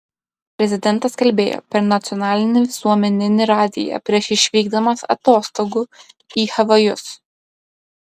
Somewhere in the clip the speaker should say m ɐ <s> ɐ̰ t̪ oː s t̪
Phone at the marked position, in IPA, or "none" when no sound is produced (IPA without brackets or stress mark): s